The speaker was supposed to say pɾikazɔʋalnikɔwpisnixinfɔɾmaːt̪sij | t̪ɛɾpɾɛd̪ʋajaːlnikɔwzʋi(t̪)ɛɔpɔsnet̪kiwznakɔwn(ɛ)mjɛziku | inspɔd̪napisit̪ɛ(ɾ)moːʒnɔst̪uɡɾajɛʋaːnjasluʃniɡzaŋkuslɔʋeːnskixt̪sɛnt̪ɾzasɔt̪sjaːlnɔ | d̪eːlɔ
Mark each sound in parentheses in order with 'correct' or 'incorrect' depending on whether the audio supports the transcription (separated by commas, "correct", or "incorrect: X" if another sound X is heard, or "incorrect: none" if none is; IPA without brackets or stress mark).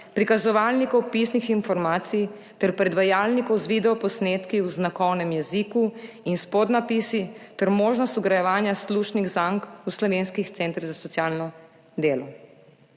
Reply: incorrect: d̪, correct, correct